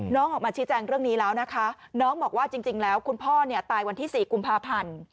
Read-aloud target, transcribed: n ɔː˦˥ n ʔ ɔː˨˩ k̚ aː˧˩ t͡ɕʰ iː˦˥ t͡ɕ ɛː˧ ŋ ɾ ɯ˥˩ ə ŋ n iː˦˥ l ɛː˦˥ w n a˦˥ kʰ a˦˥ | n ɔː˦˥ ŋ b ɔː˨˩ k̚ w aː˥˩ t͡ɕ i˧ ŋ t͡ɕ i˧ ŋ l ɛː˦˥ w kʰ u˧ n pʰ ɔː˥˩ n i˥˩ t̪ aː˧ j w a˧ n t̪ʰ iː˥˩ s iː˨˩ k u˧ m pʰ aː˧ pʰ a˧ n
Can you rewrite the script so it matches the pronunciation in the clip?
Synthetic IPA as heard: n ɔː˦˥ ŋ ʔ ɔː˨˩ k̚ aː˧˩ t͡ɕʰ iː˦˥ t͡ɕ ɛː˧ ŋ ɾ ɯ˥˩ ə ŋ n iː˦˥ l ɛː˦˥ w n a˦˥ kʰ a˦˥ | n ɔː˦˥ ŋ b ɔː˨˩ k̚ w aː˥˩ t͡ɕ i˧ ŋ t͡ɕ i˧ ŋ l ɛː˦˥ w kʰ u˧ n pʰ ɔː˥˩ n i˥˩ t̪ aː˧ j w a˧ n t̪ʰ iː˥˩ s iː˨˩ k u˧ m pʰ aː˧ pʰ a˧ n